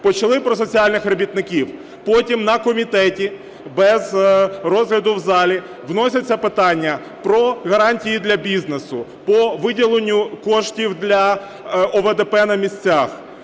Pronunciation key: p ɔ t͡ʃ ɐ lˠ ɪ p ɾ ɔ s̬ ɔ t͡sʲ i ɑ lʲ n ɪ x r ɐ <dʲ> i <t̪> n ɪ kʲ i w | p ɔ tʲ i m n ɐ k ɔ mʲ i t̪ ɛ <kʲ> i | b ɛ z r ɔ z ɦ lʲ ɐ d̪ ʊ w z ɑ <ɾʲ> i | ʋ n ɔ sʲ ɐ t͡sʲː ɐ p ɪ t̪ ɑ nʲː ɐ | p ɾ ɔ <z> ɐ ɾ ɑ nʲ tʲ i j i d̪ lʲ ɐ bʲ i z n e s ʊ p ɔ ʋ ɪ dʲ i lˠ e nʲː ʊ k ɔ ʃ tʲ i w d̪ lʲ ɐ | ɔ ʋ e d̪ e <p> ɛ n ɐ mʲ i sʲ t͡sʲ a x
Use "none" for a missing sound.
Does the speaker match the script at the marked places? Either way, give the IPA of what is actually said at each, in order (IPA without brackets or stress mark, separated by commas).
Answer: bʲ, t̪, tʲ, lʲ, ɣ, p